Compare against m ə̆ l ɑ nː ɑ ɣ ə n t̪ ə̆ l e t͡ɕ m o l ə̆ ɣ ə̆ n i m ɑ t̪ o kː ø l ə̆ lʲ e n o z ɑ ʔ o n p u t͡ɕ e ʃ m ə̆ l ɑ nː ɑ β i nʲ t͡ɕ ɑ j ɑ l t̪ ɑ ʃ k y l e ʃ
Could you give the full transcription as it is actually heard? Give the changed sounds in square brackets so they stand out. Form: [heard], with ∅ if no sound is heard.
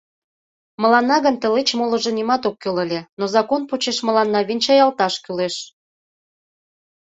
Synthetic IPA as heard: m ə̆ l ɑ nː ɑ ɣ ə n t̪ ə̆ l e t͡ɕ m o l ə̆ [ʒ] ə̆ n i m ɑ t̪ o kː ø l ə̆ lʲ e n o z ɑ [k] o n p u t͡ɕ e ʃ m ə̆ l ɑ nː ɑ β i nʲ t͡ɕ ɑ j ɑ l t̪ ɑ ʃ k y l e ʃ